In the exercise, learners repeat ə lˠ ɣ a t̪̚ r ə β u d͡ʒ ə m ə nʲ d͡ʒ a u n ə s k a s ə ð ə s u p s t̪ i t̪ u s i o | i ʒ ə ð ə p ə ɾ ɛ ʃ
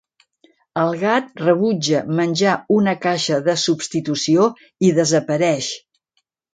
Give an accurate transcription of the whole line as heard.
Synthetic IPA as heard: ə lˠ ɣ a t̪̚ r ə β u d͡ʒ ə m ə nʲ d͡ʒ a u n ə k a ʃ ə ð ə s u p s t̪ i t̪ u s i o | i ð ə z ə p ə ɾ ɛ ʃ